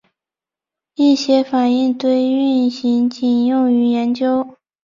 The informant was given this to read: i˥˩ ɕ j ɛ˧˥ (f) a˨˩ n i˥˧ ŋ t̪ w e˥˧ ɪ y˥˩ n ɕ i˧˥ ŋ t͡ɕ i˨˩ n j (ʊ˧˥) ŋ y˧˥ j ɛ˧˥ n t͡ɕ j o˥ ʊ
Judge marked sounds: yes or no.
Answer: yes, no

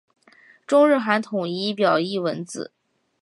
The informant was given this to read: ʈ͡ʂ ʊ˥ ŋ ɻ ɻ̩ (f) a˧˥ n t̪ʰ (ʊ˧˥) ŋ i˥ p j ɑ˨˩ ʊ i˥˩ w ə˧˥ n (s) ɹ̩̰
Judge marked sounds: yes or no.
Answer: no, no, no

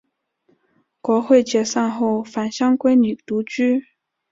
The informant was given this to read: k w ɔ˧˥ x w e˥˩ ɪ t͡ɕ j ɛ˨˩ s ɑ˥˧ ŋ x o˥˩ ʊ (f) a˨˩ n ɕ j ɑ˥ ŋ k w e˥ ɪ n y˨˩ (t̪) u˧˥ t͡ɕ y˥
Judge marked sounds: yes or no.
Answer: yes, yes

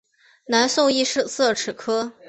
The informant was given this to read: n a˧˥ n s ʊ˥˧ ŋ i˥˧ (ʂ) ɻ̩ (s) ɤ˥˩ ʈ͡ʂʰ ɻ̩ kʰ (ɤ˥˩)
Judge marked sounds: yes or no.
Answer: yes, yes, no

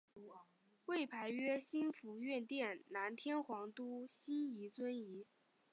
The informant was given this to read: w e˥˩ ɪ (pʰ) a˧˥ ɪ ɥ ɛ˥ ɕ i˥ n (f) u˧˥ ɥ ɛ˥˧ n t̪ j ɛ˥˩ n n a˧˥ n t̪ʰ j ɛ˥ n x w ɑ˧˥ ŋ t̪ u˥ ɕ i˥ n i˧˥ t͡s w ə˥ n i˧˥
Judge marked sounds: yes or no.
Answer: yes, yes

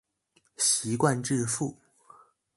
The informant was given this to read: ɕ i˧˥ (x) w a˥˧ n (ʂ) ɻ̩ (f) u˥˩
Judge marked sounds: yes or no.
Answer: no, no, yes

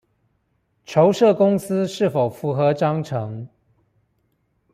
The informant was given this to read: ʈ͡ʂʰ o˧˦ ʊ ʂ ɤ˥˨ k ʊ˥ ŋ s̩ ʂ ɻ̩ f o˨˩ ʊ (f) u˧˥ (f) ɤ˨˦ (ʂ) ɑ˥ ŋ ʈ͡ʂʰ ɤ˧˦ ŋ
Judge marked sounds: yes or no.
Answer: yes, no, no

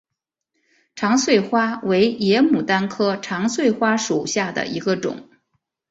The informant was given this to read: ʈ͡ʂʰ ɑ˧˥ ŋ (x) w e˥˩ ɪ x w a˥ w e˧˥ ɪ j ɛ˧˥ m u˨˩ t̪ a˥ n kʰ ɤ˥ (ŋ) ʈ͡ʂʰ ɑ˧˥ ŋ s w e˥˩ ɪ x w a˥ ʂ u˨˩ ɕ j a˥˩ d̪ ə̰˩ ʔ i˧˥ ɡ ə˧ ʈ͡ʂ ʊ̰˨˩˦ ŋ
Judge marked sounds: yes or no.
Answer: no, no

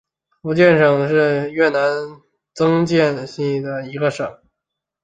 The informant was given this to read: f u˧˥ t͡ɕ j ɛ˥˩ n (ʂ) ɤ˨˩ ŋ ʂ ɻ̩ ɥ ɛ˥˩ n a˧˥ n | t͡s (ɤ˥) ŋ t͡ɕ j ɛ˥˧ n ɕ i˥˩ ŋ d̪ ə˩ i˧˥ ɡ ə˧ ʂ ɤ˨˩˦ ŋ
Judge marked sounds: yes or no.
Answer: yes, yes

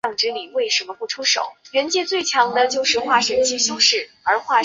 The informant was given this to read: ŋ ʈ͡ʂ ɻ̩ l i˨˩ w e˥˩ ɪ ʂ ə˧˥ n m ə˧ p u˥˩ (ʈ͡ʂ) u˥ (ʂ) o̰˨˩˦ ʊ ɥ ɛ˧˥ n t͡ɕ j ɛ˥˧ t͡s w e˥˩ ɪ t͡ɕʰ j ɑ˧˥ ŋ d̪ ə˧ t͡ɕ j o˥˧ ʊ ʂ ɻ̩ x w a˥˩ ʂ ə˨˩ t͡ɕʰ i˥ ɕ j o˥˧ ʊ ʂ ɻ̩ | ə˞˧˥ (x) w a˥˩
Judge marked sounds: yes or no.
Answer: no, yes, yes

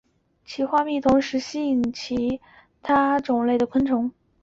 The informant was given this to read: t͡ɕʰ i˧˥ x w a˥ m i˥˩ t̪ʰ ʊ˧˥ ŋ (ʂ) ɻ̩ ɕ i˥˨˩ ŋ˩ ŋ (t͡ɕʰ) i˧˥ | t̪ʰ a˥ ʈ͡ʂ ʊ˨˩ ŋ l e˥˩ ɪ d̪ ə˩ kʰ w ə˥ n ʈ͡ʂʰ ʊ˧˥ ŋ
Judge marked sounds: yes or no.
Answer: yes, yes

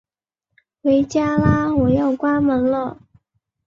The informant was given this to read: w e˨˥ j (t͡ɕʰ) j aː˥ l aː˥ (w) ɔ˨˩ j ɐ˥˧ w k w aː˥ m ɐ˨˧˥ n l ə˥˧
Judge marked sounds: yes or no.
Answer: no, yes

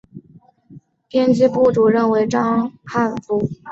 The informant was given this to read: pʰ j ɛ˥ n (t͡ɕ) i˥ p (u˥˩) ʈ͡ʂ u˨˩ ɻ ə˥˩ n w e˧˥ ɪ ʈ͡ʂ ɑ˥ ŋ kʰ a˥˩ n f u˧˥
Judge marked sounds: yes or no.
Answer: yes, yes

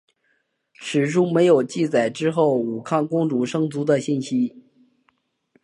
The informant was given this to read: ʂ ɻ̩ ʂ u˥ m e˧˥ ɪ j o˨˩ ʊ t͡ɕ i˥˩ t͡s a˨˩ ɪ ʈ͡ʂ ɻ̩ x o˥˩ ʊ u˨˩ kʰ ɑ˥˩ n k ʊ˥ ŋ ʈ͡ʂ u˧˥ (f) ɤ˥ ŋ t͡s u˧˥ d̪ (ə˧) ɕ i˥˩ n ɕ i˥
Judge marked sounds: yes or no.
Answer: no, yes

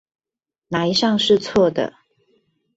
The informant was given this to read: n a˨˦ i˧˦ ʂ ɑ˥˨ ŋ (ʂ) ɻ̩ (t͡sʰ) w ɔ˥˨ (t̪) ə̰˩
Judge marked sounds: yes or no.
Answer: yes, yes, no

